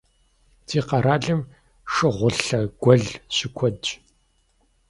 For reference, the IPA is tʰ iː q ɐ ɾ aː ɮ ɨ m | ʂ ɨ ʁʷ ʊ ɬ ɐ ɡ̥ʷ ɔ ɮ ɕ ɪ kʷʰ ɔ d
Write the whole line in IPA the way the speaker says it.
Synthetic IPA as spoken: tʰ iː q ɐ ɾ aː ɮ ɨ m | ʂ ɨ ʁʷ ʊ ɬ ɐ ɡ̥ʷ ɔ ɮ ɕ ɪ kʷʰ ɔ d